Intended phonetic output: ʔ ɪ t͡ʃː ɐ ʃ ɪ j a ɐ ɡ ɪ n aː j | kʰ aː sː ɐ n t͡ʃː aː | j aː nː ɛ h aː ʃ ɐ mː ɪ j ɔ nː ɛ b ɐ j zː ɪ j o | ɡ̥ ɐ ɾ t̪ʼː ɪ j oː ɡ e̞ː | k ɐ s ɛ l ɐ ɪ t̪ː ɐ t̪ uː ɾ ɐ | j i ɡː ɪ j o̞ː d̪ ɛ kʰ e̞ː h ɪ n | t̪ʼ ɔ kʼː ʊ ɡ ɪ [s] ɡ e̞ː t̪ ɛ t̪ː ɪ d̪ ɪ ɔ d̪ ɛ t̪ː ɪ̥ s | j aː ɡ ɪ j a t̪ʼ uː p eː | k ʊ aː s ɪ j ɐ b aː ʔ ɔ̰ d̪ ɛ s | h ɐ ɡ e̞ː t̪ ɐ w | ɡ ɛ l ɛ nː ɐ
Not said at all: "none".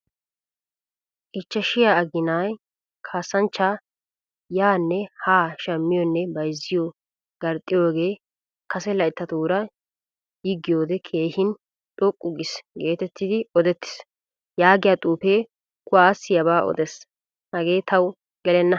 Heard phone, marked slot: s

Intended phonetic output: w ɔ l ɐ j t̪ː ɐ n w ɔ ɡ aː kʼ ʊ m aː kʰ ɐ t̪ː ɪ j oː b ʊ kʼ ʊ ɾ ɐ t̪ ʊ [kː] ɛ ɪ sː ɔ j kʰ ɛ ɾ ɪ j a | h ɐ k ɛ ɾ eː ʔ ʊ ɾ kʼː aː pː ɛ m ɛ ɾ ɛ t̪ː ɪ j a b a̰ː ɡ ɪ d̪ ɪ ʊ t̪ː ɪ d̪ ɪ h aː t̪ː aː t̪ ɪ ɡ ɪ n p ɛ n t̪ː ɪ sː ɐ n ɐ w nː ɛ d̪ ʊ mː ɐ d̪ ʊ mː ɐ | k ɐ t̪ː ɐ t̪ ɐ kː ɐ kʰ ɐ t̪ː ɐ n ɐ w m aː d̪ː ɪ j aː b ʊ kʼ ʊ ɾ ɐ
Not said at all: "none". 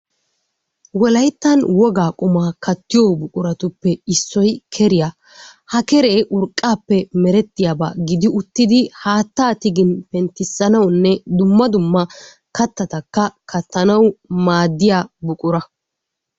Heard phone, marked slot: pː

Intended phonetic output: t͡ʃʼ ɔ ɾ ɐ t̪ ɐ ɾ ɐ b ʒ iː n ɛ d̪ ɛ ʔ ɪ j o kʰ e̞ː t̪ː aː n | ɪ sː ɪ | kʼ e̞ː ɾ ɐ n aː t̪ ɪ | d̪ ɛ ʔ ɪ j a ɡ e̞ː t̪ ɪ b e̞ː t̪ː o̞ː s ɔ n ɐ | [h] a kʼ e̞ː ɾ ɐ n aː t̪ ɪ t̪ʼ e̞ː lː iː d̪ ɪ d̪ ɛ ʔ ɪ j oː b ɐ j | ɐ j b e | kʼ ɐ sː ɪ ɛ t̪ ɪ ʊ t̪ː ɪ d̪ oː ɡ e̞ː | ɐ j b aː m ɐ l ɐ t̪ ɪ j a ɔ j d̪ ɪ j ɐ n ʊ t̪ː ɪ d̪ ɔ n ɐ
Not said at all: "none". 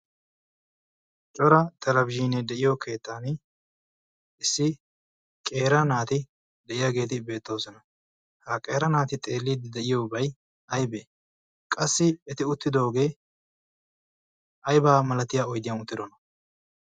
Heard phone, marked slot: h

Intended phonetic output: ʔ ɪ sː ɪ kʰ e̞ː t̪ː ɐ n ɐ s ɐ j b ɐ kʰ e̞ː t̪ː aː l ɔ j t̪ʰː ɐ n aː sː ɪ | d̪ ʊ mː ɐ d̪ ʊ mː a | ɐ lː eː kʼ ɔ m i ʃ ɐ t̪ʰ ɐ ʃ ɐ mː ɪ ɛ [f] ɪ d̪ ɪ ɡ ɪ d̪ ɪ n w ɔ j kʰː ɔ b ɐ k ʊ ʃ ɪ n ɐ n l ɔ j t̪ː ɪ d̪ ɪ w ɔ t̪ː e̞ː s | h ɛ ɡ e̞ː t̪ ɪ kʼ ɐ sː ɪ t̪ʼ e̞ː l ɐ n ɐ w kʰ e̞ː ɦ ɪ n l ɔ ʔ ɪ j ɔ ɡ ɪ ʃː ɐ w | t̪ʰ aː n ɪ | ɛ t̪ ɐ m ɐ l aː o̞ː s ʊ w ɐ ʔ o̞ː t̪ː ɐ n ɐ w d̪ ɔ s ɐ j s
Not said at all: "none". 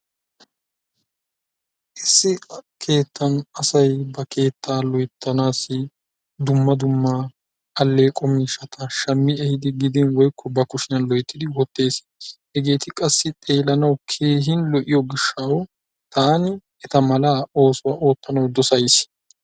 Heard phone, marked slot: h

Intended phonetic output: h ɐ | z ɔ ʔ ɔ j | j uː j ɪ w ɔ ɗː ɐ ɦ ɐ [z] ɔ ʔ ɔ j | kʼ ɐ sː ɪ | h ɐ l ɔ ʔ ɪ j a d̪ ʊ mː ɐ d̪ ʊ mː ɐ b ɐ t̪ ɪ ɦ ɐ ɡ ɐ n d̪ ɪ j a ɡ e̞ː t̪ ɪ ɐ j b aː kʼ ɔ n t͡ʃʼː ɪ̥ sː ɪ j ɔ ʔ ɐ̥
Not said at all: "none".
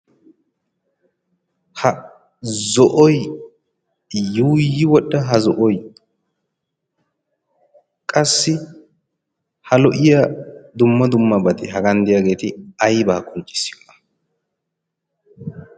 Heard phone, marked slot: z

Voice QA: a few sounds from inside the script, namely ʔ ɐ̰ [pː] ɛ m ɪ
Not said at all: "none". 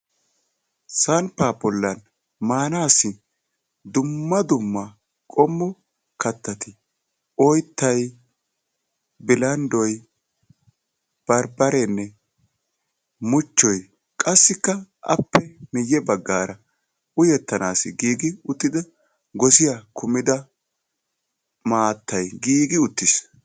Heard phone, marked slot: pː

